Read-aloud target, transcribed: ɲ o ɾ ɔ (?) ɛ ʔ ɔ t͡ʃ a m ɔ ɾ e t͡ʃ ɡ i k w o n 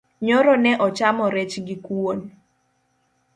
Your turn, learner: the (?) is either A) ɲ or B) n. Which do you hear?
B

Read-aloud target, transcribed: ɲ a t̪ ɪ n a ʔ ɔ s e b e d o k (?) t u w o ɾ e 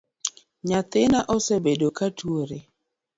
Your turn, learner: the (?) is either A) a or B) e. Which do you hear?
A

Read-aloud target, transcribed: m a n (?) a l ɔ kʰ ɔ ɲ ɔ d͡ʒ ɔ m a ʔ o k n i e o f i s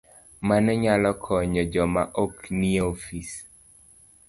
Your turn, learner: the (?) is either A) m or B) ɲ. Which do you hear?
B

